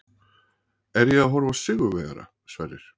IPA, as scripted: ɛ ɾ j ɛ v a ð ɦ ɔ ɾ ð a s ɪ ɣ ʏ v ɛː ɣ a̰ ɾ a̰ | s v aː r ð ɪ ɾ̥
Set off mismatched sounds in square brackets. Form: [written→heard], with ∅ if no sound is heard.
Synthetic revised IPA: ɛ ɾ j ɛ [v→ɣ] a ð ɦ ɔ ɾ [ð→v] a s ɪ ɣ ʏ v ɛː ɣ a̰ ɾ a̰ | s v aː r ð ɪ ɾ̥